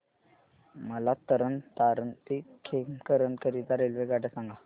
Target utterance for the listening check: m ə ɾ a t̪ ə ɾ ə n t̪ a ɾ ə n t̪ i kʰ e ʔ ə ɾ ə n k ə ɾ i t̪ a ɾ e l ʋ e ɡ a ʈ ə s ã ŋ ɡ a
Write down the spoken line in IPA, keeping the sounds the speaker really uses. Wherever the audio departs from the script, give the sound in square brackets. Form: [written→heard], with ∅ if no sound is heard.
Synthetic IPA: m ə [ɾ→l] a t̪ ə ɾ ə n t̪ a ɾ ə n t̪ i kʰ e [ʔ→k] ə ɾ ə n k ə ɾ i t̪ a ɾ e l ʋ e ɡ a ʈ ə s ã ŋ ɡ a